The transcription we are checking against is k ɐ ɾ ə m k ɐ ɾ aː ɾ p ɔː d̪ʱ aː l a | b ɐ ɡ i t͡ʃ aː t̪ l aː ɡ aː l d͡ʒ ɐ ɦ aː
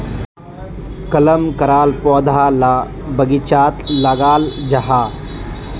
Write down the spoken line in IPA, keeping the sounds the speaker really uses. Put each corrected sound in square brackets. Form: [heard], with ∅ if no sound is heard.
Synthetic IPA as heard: k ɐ [l] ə m k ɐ ɾ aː [l] p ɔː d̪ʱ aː l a | b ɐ ɡ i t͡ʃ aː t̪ l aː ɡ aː l d͡ʒ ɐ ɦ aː